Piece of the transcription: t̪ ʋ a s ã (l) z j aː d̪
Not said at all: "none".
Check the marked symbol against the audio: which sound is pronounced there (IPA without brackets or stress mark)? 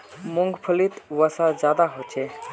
none